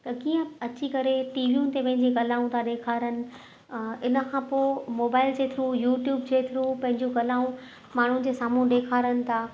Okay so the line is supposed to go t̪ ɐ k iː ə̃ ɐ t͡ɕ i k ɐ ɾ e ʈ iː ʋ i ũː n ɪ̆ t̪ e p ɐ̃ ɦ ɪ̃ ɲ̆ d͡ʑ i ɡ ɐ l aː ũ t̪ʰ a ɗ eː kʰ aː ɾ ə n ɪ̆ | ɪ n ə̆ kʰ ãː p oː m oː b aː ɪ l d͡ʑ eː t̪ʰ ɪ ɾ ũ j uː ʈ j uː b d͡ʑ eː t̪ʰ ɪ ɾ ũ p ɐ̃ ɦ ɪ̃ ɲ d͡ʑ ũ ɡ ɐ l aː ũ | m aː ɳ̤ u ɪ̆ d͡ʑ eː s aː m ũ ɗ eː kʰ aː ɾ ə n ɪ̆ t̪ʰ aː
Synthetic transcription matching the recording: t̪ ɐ k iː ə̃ ɐ t͡ɕ i k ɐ ɾ e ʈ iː ʋ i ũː n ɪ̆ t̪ e p ɐ̃ ɦ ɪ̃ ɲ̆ d͡ʑ i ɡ ɐ l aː ũ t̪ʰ a ɗ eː kʰ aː ɾ ə n ɪ̆ | ɪ n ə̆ kʰ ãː p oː m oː b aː ɪ l d͡ʑ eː t̪ʰ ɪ ɾ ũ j uː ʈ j uː b d͡ʑ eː t̪ʰ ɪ ɾ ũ p ɐ̃ ɦ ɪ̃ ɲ d͡ʑ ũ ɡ ɐ l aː ũ | m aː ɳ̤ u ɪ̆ d͡ʑ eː s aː m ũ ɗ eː kʰ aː ɾ ə n ɪ̆ t̪ʰ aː